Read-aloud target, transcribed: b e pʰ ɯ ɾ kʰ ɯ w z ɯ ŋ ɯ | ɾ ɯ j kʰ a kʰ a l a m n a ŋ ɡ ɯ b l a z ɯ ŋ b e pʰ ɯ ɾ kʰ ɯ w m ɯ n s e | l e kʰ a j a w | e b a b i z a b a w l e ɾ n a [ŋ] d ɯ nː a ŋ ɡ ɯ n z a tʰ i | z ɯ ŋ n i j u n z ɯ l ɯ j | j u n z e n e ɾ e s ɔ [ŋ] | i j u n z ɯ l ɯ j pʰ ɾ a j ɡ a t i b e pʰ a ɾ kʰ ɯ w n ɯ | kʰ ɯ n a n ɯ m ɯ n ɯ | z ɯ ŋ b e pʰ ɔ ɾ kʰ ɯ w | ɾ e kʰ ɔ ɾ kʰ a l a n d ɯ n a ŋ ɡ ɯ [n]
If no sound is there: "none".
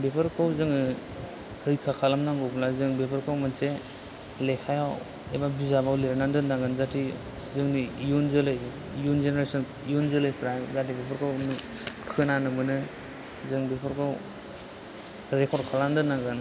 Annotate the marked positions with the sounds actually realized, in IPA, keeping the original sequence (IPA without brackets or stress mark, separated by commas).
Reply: n, n, n